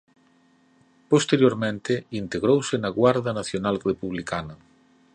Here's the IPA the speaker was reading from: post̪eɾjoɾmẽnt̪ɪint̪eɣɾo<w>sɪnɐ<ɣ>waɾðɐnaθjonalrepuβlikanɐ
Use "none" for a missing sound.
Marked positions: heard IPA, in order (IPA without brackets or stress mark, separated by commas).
w, ɣ